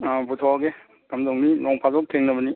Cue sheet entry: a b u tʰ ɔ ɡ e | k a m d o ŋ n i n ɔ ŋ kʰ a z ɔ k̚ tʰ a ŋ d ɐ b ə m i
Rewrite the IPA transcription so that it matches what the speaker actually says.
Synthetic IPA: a b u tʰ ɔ ɡ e | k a m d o ŋ n i n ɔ ŋ pʰ a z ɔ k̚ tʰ e ŋ n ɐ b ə n i